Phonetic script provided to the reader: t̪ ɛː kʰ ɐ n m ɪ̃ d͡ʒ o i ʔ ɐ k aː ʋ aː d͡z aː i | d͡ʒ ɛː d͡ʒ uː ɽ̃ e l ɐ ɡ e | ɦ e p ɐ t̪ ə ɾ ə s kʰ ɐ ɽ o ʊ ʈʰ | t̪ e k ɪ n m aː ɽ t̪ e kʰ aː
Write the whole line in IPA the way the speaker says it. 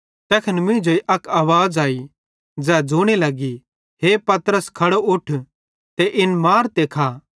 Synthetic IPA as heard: t̪ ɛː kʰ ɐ n m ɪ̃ d͡ʒ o i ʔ ɐ k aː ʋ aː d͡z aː i | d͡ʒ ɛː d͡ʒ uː ɽ̃ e l ɐ ɡ i | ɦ e p ɐ t̪ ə ɾ ə s kʰ ɐ ɽ o ʊ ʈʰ | t̪ e ʔ ɪ n m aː ɾ t̪ e kʰ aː